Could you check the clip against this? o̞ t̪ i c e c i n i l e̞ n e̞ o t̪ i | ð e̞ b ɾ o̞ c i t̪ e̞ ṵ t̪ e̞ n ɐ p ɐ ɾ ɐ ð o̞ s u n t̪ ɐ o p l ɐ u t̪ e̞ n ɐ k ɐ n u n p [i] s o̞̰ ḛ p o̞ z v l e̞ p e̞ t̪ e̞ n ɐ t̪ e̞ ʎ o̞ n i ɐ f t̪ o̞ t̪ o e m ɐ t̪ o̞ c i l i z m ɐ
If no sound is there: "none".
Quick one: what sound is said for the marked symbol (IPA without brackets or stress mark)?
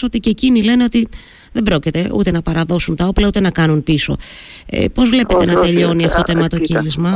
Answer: i